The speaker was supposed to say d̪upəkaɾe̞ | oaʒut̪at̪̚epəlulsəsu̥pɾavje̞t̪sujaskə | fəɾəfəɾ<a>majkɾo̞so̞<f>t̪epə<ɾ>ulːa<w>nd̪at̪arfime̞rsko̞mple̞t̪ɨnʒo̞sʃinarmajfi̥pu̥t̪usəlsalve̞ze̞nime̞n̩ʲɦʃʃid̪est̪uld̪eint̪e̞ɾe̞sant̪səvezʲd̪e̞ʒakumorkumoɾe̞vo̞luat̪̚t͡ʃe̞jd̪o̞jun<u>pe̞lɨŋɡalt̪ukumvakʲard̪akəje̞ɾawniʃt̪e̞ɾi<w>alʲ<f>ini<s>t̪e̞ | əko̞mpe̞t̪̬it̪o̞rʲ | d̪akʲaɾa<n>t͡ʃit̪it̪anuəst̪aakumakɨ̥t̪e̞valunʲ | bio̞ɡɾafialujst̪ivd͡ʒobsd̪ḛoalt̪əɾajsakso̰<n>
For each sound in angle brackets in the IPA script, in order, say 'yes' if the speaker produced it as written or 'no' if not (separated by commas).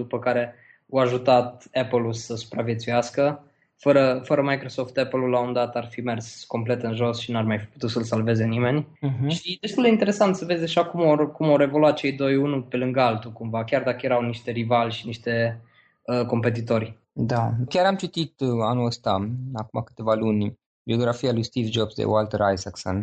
no, yes, no, no, yes, no, no, no, no, yes